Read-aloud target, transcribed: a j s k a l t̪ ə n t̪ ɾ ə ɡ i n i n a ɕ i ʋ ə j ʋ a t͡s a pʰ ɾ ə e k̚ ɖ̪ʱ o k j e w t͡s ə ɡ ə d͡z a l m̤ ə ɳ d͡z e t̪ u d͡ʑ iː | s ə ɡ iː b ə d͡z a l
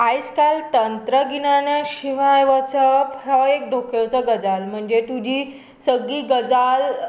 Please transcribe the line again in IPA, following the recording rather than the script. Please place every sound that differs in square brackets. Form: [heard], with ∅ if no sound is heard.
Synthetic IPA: a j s k a l t̪ ə n t̪ ɾ ə ɡ i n [a] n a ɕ i ʋ [a] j ʋ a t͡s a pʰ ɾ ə e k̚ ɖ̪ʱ o k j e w t͡s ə ɡ ə d͡z a l m̤ ə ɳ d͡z e t̪ u d͡ʑ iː | s ə ɡ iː [ɡ] ə d͡z a l